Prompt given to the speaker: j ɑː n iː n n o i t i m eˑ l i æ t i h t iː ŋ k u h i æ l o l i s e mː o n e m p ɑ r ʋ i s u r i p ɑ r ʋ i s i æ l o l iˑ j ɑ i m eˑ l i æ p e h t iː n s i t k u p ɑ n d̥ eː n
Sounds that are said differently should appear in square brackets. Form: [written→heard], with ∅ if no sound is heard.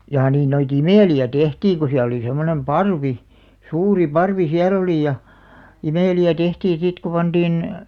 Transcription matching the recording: j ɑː n iː n n o i t i m eˑ l i æ t [i→e] h t iː ŋ k u [h→s] i æ l o l i s e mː o n e m p ɑ r ʋ i s [u→uː] r i p ɑ r ʋ i s i æ l o l iˑ j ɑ i m eˑ l i æ [p→t] e h t iː n s i t k u p ɑ n d̥ [eː→iː] n